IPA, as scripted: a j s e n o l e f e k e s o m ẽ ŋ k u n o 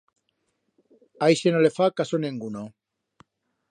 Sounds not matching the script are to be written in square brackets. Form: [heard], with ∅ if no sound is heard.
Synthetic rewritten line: a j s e n o l e f [a] k [a] s o [n] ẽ ŋ [ɡ] u n o

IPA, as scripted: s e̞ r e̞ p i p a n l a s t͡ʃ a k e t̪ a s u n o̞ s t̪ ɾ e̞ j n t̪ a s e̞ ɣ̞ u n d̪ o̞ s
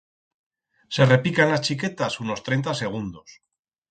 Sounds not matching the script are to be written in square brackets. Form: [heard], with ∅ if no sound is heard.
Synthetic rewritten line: s e̞ r e̞ p i [k] a n l a s t͡ʃ [i] k e t̪ a s u n o̞ s t̪ ɾ e̞ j n t̪ a s e̞ ɣ̞ u n d̪ o̞ s

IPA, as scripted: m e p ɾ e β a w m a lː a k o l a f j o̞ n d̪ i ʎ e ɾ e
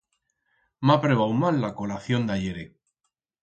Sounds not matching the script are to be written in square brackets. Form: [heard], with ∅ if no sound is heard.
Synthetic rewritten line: m [a] p ɾ e β a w m a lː a k o l a [θ] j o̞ n d̪ [a] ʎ e ɾ e

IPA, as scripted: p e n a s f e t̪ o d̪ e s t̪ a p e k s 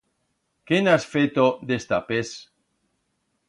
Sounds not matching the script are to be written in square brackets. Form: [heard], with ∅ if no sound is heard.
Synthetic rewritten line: [k] e n a s f e t̪ o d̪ e s t̪ a p e [∅] s

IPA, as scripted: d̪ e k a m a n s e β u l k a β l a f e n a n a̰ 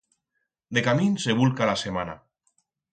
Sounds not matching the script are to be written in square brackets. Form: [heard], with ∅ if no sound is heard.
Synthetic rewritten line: d̪ e k a m [i] n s e β u l k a [∅] l a [s] e [m] a n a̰

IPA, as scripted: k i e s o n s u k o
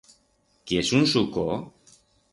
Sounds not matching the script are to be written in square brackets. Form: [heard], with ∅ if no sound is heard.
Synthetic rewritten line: k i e s [u] n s u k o

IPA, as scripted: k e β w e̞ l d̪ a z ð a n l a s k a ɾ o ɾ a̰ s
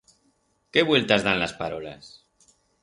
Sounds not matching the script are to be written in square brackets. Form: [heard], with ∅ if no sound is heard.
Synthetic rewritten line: k e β w e̞ l [t̪] a z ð a n l a s [p] a ɾ o [l] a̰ s

